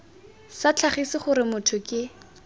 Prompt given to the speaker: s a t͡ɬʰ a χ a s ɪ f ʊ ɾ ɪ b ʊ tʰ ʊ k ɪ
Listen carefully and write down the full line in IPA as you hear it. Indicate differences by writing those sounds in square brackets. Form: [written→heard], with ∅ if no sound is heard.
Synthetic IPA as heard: s a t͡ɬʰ a χ [a→i] s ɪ [f→χ] ʊ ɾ ɪ [b→m] ʊ tʰ ʊ k ɪ